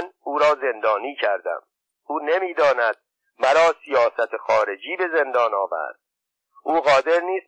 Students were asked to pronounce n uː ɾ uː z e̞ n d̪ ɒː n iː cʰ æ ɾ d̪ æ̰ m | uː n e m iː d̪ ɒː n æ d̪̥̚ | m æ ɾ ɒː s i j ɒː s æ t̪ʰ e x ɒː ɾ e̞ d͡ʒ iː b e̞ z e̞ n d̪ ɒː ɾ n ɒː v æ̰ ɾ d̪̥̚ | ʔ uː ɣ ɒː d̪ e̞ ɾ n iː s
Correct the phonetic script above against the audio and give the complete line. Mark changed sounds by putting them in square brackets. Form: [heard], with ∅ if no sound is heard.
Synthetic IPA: n uː ɾ [ɒː] z e̞ n d̪ ɒː n iː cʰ æ ɾ d̪ æ̰ m | uː n e m iː d̪ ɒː n æ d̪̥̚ | m æ ɾ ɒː s i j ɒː s æ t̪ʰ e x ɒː ɾ e̞ d͡ʒ iː b e̞ z e̞ n d̪ ɒː [∅] n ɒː v æ̰ ɾ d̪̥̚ | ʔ uː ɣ ɒː d̪ e̞ ɾ n iː s